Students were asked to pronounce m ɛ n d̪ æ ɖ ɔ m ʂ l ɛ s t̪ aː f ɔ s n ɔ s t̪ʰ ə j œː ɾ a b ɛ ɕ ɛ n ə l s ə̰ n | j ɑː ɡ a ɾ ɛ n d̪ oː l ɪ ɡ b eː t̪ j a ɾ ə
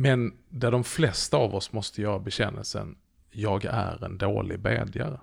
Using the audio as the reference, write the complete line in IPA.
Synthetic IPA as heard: m ɛ n d̪ æ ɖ ɔ m f l ɛ s t̪ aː v ɔ s m ɔ s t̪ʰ ə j œː ɾ a b ɛ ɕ ɛ nː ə l s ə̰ n | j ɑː ɡ æ ɾ ɛ n d̪ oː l ɪ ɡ b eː d̪ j a ɾ ə